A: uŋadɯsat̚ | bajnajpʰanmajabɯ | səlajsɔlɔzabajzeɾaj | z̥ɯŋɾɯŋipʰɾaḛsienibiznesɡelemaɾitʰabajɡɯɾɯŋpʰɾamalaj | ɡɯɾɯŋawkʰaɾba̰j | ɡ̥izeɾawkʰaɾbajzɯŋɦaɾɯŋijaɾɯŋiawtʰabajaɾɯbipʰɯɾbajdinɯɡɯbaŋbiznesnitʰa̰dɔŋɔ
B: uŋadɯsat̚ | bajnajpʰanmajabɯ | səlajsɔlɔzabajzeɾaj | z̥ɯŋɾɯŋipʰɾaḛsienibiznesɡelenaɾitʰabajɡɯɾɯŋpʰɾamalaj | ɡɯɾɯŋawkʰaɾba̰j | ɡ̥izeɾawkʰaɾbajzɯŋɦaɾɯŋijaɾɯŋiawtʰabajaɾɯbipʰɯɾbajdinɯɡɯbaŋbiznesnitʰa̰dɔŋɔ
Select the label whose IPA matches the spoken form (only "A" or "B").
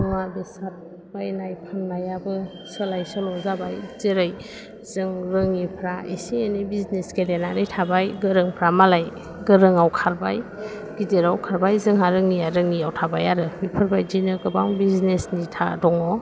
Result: B